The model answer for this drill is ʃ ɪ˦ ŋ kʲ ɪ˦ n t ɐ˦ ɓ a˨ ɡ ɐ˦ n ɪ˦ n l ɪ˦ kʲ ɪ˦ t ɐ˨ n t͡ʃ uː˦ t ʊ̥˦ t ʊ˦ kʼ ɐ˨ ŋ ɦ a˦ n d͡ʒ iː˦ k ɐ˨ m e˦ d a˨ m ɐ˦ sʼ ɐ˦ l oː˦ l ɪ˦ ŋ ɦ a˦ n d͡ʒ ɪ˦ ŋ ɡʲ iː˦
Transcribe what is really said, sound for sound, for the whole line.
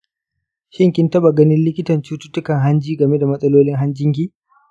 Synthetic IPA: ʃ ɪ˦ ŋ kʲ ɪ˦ n t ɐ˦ ɓ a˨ ɡ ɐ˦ n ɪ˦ n l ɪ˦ kʲ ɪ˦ t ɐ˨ n t͡ʃ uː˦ t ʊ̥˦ t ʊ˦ k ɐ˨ ŋ ɦ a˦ n d͡ʒ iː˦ ɡ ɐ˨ m e˦ d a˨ m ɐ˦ sʼ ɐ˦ l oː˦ l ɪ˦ ŋ ɦ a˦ n d͡ʒ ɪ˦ ŋ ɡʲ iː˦

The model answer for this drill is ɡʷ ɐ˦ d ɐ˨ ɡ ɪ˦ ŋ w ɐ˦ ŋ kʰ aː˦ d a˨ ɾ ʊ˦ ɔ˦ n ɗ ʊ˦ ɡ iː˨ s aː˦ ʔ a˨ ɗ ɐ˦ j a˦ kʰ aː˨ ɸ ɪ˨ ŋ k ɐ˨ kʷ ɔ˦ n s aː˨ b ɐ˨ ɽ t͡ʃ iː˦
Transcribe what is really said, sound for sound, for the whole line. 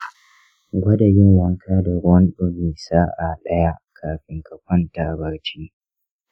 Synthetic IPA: ɡʷ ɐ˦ d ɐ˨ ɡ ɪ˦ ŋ w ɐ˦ ŋ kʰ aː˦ d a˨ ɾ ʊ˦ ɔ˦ n ɗ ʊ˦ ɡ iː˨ s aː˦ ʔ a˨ ɗ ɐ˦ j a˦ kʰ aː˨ ɸ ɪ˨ ŋ k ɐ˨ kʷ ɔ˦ n t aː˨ b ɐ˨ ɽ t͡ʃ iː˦

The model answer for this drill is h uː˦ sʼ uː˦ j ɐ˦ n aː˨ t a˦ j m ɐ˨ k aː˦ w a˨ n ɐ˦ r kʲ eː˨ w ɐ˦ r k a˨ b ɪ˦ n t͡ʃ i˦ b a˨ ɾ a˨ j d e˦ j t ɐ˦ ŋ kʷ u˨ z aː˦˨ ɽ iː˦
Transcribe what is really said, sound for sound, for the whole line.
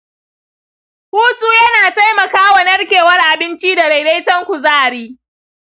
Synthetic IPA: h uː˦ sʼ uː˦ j ɐ˦ n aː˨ t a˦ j m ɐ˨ k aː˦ w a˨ n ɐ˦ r kʲ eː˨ w ɐ˦ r ʔ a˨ b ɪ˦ n t͡ʃ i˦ d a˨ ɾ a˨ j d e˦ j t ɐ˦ ŋ kʷ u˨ z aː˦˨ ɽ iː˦

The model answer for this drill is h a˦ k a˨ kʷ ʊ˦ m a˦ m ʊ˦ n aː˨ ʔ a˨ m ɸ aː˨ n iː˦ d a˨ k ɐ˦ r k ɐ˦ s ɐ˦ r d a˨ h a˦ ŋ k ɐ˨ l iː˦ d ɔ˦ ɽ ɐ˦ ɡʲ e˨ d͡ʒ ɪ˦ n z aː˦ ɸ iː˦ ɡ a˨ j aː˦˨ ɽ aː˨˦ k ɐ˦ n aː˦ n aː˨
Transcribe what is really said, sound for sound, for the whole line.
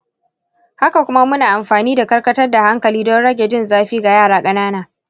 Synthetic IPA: h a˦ k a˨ kʷ ʊ˦ m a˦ m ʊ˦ n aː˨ ʔ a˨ m ɸ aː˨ n iː˦ d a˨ k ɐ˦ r k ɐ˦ t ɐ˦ r d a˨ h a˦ ŋ k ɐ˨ l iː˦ d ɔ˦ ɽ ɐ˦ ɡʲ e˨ d͡ʒ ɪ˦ n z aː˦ ɸ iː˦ ɡ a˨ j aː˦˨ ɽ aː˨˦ kʼ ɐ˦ n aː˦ n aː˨

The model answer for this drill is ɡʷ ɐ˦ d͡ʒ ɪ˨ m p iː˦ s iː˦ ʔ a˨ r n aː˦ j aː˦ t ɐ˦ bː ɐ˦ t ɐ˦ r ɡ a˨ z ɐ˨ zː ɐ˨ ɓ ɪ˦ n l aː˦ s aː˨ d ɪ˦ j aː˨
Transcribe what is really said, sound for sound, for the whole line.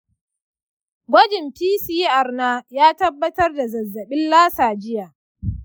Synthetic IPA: ɡʷ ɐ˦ d͡ʒ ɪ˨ m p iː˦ s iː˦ ʔ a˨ r n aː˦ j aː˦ t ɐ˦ bː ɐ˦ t ɐ˦ r d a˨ z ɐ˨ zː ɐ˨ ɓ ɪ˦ n l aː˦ s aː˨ d͡ʒ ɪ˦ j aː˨

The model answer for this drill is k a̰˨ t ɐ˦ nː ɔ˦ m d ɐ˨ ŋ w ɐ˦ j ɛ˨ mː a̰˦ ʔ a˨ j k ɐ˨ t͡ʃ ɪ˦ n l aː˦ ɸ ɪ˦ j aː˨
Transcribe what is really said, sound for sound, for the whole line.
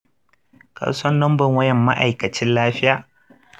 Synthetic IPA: k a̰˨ s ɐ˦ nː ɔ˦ m b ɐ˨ ŋ w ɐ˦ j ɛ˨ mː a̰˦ ʔ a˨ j k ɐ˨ t͡ʃ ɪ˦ n l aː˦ ɸ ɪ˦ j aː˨

